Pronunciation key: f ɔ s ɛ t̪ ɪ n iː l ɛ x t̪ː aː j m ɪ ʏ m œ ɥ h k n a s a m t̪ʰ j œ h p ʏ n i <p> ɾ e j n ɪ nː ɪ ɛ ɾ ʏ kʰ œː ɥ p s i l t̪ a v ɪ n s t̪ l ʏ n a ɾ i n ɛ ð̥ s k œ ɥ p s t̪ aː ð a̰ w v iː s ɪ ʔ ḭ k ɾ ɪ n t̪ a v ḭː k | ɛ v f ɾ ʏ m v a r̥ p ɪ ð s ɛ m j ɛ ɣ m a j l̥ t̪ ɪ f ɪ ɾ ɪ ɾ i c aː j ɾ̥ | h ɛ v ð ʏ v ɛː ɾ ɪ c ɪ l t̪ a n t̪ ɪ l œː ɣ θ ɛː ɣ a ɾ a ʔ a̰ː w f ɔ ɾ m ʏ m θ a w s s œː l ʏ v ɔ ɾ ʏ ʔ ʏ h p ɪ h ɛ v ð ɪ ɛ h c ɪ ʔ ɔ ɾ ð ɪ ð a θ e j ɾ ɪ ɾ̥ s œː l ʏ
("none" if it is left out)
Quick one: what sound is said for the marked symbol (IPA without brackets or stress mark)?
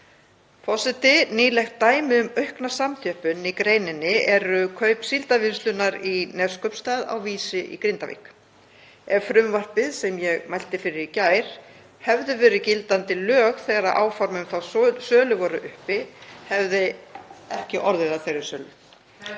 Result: k